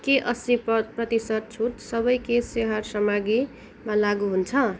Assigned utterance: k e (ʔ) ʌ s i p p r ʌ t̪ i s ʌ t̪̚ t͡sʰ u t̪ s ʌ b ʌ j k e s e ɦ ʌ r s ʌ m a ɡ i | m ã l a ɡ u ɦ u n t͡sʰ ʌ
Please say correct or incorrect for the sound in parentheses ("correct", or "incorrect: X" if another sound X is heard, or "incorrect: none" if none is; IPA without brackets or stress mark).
correct